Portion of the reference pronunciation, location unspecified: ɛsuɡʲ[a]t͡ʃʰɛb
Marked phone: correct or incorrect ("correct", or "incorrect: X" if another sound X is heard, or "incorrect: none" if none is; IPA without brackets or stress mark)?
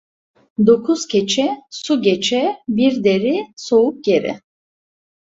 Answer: incorrect: ɛ